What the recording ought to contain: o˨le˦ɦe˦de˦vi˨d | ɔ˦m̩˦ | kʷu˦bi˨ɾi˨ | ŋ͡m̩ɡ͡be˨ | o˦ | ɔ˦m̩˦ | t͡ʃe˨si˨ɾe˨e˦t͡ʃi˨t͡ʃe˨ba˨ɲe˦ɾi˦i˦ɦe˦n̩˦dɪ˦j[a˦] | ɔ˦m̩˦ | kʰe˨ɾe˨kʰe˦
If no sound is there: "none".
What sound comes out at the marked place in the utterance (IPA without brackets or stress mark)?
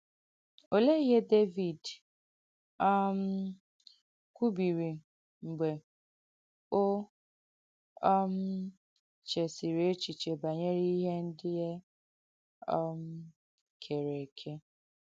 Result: e˦